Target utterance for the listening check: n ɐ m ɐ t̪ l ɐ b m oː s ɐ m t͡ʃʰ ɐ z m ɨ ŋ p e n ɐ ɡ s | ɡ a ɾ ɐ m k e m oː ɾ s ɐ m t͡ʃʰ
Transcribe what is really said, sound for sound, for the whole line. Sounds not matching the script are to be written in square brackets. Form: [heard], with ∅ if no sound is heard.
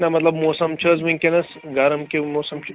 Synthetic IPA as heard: n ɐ m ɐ t̪ l ɐ b m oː s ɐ m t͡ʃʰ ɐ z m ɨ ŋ [k] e n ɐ [∅] s | ɡ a ɾ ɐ m k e m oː [∅] s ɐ m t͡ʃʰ